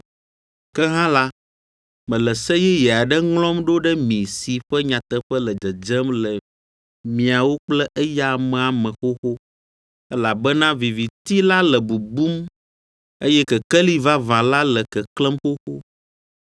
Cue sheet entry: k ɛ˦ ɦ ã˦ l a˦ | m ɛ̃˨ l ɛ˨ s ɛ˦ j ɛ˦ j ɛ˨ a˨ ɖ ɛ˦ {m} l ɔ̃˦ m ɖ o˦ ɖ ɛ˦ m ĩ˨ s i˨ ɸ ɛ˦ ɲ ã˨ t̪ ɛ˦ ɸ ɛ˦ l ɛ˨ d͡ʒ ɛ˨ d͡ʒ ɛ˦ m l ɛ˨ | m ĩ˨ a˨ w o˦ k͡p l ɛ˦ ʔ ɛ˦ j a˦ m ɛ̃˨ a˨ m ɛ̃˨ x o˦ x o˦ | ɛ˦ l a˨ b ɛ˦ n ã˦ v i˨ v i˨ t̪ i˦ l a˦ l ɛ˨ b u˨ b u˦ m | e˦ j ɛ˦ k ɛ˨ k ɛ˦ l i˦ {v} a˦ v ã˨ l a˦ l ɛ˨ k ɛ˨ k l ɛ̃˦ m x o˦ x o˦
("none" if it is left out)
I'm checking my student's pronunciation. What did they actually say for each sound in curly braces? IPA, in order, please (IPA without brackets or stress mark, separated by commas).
ŋ, v